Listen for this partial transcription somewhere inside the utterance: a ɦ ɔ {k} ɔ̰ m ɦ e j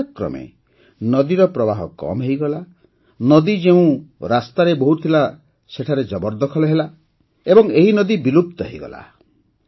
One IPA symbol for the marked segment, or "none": k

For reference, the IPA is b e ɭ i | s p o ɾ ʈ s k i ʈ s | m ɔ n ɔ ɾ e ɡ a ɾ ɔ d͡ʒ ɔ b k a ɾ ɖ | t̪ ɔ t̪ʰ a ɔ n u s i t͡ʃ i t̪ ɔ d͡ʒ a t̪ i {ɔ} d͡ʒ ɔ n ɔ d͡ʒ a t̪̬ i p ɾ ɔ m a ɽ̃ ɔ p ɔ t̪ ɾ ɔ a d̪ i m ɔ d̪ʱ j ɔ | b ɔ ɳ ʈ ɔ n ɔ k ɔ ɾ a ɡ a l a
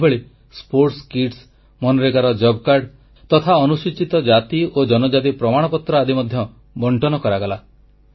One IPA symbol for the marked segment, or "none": o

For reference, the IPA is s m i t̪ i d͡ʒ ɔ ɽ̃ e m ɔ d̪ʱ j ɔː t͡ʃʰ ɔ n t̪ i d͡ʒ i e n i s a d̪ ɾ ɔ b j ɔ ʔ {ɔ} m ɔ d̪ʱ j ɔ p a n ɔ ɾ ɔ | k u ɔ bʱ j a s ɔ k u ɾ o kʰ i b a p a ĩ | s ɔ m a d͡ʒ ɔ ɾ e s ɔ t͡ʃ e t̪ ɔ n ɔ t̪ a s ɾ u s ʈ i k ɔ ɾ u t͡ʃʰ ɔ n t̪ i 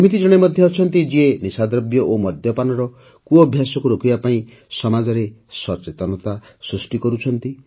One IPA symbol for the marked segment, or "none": o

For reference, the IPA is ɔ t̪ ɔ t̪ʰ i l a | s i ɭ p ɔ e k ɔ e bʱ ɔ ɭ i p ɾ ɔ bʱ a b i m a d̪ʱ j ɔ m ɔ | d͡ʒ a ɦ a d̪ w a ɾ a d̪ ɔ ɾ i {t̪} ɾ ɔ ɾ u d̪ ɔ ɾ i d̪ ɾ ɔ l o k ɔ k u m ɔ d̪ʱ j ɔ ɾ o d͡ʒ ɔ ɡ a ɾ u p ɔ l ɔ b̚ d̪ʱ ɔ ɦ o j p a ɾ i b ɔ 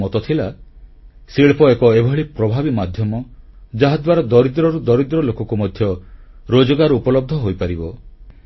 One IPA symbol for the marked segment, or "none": d̪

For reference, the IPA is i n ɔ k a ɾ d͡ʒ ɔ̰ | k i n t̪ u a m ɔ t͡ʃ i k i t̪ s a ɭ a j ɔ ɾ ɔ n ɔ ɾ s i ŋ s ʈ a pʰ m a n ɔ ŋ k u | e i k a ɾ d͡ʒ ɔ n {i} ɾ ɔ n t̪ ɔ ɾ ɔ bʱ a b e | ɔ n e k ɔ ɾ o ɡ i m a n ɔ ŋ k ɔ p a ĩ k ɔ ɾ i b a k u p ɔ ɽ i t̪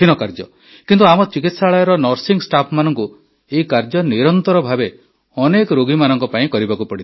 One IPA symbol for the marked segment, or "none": i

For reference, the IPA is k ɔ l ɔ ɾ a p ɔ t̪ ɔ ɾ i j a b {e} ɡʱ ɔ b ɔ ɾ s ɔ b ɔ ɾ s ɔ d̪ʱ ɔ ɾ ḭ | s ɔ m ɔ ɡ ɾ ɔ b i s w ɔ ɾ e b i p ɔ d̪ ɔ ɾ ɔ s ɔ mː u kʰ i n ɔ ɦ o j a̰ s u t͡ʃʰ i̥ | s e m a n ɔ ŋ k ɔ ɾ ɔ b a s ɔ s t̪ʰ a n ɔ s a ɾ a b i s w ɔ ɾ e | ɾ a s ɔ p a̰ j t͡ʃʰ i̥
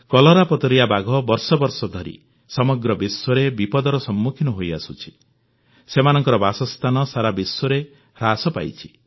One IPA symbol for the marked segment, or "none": a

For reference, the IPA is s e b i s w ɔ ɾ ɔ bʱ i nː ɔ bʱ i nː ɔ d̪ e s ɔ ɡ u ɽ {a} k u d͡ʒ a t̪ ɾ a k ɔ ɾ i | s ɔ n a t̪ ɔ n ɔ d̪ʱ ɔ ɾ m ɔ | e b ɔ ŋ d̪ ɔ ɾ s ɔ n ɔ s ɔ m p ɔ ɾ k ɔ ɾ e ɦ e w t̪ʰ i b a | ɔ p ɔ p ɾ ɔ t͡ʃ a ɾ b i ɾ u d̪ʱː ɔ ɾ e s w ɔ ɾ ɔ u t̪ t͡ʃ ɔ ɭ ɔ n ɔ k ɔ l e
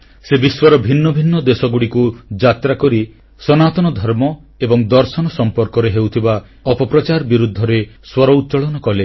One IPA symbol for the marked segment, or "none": i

